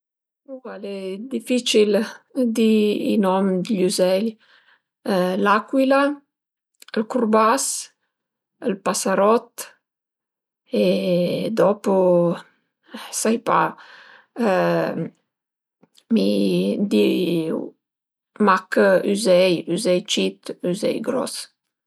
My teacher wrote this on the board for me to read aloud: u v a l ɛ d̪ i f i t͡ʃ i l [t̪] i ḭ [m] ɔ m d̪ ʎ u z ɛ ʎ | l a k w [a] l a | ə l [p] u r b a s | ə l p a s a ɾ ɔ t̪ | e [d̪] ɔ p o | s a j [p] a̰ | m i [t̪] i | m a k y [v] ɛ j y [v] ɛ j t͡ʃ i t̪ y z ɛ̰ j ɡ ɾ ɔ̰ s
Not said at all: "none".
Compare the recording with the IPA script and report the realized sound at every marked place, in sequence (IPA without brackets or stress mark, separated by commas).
d̪, n, i, k, d̪, p, d̪, z, z